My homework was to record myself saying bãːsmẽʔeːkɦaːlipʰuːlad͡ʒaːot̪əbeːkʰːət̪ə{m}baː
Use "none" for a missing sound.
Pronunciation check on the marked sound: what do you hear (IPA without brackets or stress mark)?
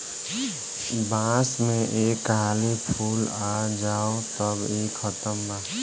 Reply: m